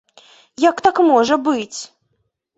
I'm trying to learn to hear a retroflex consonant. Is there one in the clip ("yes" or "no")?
yes